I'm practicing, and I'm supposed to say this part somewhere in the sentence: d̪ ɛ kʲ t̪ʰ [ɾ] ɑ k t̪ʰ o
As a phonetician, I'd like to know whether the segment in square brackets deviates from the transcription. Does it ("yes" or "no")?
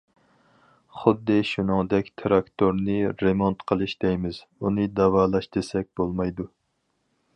no